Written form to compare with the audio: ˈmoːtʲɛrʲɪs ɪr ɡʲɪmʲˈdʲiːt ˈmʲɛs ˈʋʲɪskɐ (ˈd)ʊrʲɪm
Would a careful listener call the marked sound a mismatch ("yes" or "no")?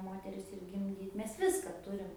yes